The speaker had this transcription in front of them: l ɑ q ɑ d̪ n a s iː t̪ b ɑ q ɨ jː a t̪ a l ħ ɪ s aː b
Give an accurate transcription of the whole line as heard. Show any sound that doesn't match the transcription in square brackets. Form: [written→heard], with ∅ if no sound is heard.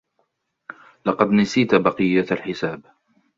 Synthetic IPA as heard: l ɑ q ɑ d̪ n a s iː t̪ b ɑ q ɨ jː a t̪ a l ħ ɪ s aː b